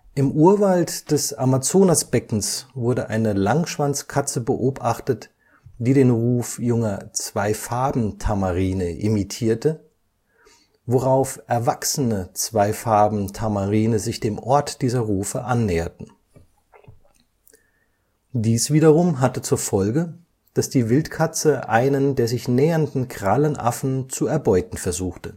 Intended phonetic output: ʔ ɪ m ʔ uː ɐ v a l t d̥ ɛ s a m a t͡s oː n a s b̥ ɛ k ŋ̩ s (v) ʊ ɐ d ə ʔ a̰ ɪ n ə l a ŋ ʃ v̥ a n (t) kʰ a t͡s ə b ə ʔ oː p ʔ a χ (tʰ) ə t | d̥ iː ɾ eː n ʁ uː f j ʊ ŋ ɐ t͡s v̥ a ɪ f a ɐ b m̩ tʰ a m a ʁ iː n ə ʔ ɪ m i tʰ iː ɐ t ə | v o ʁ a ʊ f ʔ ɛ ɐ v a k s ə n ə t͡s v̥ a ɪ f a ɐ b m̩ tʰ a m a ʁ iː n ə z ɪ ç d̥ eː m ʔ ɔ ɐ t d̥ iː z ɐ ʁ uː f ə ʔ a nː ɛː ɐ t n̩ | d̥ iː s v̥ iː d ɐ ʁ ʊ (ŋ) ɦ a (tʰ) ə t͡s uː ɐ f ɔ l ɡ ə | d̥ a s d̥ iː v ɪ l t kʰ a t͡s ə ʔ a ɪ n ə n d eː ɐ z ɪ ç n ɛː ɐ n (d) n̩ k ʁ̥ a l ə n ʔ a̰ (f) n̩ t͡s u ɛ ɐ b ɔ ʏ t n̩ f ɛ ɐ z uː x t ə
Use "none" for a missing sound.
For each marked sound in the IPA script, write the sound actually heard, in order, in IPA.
v, t͡s, t, m, t, d, f

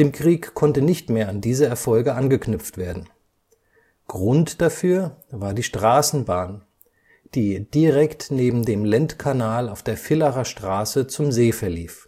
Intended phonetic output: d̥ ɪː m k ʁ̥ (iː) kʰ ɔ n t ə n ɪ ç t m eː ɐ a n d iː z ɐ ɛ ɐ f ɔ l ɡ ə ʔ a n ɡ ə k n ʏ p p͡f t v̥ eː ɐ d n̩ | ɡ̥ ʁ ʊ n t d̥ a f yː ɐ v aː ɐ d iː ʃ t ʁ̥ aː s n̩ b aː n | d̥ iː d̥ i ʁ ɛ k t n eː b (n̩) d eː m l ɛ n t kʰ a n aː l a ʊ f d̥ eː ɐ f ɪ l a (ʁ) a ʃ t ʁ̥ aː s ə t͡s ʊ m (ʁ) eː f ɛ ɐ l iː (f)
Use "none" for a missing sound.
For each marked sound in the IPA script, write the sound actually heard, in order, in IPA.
iː, m̩, ʁ, z, f

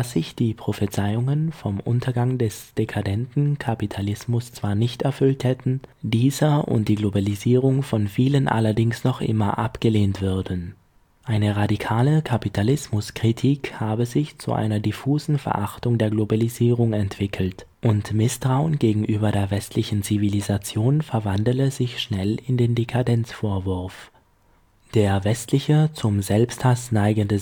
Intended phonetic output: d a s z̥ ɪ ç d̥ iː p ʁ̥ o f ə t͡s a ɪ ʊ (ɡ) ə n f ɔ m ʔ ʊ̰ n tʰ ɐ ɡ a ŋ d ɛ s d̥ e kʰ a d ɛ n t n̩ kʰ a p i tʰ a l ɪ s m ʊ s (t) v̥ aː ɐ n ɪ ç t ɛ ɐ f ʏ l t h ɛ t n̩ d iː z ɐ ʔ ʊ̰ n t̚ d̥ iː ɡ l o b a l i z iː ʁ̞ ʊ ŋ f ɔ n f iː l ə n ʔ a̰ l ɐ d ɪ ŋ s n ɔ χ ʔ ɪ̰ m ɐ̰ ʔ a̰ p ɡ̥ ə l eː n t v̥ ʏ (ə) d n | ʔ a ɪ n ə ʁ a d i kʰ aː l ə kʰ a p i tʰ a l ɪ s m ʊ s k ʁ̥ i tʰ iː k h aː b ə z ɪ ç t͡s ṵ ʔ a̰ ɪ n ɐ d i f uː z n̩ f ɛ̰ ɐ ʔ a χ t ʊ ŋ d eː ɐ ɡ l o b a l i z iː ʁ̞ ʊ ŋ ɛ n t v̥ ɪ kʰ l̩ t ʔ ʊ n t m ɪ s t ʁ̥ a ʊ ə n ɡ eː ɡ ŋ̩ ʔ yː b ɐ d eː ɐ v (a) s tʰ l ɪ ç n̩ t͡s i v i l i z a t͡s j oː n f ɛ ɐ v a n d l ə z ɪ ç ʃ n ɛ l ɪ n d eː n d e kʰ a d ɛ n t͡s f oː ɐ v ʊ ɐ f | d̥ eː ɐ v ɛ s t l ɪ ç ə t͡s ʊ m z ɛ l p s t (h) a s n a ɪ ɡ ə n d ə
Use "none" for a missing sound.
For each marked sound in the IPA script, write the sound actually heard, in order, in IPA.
ŋ, t͡s, ɐ, ɛ, h

